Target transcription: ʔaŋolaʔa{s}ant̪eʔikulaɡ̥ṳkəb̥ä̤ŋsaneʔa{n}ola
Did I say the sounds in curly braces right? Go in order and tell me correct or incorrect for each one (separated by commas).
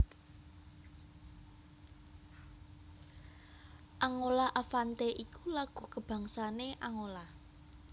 incorrect, incorrect